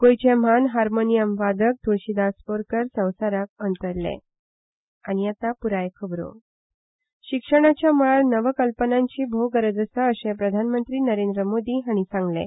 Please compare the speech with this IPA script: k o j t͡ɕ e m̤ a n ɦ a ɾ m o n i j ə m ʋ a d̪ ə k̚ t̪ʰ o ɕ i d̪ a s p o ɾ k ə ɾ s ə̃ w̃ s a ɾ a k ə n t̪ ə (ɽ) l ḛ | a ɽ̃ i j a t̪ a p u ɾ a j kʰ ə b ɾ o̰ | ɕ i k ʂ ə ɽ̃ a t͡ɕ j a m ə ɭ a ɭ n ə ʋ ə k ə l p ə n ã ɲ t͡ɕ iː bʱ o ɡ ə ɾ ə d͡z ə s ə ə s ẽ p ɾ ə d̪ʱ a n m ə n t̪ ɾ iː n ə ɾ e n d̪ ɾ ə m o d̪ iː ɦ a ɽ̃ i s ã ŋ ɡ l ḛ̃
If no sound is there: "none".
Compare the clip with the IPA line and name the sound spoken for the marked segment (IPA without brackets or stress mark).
ɾ